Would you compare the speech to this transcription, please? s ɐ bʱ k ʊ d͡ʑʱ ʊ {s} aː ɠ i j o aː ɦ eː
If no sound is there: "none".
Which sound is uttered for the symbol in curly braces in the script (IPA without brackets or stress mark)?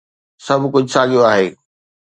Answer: s